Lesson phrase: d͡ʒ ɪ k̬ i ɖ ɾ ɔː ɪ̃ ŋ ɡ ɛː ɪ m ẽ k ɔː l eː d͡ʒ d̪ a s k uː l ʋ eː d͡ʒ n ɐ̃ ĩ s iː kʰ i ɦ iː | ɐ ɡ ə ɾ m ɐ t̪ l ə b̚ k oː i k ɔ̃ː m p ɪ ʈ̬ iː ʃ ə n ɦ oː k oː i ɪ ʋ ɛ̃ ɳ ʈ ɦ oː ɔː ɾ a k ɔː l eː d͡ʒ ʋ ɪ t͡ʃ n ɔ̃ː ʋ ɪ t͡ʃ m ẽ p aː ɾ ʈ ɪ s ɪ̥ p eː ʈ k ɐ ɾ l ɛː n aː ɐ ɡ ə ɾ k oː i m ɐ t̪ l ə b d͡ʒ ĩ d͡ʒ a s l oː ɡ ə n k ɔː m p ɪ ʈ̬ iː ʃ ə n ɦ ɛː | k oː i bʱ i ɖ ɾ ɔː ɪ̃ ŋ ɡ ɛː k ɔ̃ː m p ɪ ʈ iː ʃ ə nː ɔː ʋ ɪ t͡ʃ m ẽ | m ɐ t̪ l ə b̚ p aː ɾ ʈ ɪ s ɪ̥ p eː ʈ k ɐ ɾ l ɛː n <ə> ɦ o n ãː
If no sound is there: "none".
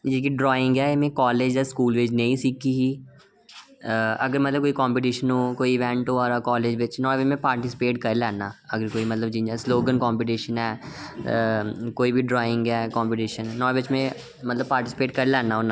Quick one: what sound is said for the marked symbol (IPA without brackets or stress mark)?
a